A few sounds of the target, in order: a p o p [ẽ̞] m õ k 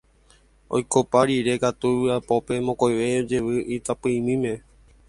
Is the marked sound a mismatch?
yes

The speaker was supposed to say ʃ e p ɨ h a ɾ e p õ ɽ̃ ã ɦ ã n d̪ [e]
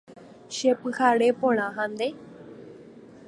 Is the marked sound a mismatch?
no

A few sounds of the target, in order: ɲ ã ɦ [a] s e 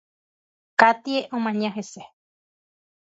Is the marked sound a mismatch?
yes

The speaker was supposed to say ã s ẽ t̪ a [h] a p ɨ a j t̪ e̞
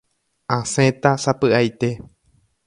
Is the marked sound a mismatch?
yes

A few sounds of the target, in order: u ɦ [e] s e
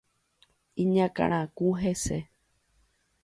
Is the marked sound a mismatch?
no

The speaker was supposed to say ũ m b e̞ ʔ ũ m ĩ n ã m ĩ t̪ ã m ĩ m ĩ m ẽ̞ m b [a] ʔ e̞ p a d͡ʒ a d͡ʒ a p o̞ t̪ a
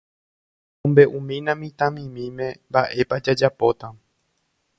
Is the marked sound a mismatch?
no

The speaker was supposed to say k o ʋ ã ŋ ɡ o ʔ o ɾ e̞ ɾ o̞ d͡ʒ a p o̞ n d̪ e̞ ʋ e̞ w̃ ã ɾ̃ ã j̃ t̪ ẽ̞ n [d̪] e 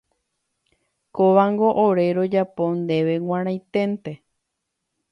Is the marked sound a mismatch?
yes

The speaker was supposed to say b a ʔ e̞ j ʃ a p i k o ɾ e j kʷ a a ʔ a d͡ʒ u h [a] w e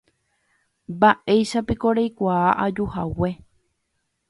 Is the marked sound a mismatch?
no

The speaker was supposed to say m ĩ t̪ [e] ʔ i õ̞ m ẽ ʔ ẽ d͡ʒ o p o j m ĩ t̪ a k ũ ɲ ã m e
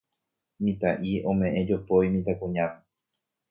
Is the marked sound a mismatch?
yes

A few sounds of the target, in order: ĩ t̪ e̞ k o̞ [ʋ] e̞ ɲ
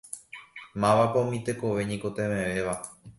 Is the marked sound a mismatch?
no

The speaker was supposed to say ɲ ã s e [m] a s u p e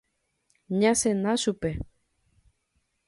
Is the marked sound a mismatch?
yes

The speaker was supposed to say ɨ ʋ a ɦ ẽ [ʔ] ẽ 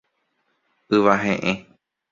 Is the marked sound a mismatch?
no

